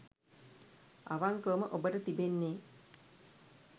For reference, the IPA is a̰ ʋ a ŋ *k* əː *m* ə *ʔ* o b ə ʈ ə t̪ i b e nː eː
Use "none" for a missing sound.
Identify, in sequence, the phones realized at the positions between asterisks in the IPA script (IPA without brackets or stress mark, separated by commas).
k, m, ʔ